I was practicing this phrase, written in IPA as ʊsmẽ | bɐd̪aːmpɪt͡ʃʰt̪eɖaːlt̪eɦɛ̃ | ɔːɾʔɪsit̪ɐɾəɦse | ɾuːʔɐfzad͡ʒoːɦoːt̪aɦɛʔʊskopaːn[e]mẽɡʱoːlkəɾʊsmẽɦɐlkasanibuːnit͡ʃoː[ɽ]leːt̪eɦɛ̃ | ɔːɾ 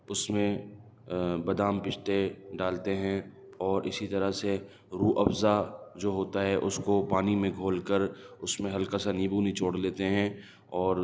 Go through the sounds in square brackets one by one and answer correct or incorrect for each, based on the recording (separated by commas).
incorrect, correct